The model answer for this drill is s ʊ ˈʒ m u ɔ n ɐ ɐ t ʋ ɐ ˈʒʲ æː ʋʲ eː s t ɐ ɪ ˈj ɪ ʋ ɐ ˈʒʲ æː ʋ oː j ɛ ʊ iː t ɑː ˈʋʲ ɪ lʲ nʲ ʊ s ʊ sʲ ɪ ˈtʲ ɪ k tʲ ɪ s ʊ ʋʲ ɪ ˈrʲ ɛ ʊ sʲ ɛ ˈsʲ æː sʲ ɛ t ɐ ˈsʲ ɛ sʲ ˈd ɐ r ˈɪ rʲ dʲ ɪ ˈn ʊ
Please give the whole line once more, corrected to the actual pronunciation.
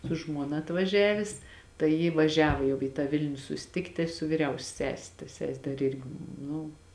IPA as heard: s ʊ ˈʒ m u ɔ n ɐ ɐ t ʋ ɐ ˈʒʲ æː ʋʲ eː s t ɐ ɪ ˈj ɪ ʋ ɐ ˈʒʲ æː ʋ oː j ɛ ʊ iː t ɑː ˈʋʲ ɪ lʲ nʲ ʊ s ʊ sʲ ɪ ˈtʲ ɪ k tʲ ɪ s ʊ ʋʲ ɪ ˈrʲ ɛ ʊ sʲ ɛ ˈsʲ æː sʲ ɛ t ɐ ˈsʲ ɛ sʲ ˈd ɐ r ˈɪ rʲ ɡʲ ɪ ˈn ʊ